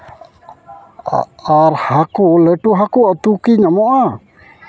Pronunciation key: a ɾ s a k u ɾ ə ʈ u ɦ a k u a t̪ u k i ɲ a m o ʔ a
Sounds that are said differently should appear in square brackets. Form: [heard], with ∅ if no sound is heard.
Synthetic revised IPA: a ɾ [h] a k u [l] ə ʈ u ɦ a k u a t̪ u k i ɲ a m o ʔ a